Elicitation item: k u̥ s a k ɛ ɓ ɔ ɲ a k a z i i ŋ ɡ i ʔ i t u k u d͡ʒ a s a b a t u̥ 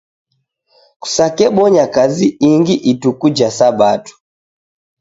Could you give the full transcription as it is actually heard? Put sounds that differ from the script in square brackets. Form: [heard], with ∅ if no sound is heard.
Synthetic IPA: k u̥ s a k ɛ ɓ ɔ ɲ a k a z i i ŋ ɡ i ʔ i t u k u d͡ʒ a s a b a t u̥